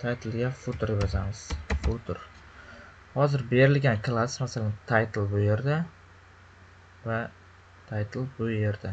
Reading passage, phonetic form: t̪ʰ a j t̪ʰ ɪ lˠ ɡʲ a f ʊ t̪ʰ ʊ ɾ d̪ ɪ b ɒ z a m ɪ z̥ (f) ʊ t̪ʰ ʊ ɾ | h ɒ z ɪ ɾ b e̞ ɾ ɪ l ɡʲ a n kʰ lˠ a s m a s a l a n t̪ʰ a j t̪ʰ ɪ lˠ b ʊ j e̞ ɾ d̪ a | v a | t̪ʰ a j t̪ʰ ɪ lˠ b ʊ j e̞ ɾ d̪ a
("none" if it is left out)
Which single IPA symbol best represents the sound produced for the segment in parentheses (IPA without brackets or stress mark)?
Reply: f